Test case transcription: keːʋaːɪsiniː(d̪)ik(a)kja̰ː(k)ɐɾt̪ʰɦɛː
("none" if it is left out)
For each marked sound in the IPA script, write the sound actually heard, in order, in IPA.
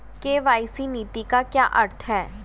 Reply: t̪, a, ʔ

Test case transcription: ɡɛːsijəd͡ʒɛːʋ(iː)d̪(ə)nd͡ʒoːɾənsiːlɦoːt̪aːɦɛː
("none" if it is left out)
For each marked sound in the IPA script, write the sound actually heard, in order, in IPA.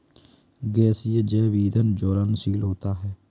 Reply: iː, ə

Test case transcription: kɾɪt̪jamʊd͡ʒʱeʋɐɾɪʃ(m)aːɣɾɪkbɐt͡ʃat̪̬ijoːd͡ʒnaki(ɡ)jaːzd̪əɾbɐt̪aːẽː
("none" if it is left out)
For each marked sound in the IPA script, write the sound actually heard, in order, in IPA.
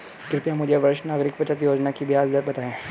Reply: n, b

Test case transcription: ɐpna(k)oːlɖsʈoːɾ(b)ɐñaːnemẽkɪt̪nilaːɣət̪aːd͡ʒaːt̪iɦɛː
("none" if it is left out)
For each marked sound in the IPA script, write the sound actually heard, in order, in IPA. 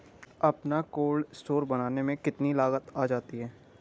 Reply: k, b

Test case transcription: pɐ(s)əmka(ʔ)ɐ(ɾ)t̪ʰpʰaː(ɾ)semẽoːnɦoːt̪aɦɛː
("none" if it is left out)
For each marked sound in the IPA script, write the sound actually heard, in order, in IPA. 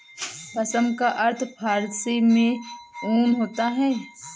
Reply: s, ʔ, ɾ, ɾ

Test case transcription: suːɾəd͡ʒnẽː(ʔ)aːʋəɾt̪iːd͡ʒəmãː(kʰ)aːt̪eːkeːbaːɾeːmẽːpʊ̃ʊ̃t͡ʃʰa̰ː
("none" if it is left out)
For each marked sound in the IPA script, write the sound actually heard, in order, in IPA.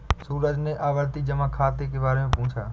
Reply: ʔ, kʰ

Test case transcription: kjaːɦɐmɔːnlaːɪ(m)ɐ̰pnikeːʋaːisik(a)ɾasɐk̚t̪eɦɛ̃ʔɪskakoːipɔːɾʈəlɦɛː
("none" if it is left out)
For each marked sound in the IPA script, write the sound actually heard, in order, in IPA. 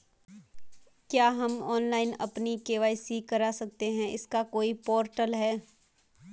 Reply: n, ɐ

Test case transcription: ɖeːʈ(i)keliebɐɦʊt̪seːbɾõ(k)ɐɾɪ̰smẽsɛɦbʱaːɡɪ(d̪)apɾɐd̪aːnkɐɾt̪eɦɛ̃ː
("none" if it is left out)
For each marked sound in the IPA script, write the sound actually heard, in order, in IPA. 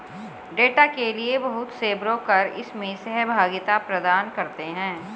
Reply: a, k, t̪

